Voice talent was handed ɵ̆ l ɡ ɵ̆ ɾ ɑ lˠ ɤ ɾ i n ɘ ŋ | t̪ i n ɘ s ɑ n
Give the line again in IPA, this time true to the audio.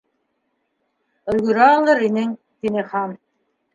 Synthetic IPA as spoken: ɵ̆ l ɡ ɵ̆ ɾ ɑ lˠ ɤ ɾ i n ɘ ŋ | t̪ i n ɘ χ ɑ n